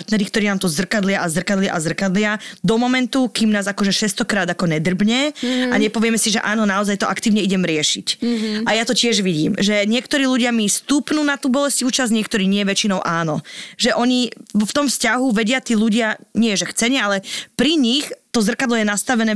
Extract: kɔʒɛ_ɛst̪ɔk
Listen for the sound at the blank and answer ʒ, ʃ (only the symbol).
ʃ